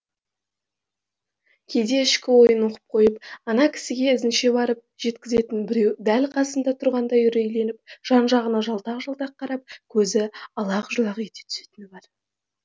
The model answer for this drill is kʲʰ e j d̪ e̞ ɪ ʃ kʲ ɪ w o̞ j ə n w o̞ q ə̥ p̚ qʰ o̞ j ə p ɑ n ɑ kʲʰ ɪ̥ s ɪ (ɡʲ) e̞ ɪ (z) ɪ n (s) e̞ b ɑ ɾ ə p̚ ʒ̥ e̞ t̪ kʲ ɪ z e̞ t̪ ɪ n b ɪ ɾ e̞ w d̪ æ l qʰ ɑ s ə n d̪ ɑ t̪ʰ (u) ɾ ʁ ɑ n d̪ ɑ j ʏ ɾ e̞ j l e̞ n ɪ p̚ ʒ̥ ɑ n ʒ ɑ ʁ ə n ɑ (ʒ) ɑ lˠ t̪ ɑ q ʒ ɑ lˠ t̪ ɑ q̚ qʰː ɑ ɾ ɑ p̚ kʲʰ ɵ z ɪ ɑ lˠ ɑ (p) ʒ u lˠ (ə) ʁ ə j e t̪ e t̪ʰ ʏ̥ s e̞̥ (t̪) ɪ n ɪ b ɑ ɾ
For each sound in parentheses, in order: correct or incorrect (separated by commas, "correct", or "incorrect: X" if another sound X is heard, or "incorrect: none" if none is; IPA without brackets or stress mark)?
correct, correct, incorrect: ʃ, incorrect: ʊ, correct, incorrect: q, incorrect: ɑ, correct